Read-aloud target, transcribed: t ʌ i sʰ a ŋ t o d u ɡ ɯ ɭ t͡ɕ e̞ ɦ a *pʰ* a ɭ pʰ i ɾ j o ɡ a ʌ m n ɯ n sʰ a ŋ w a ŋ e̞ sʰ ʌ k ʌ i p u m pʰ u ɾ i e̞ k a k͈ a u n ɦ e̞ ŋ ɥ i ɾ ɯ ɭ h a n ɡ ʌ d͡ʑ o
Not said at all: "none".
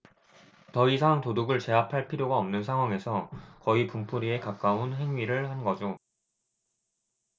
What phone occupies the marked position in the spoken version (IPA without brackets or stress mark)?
pʰ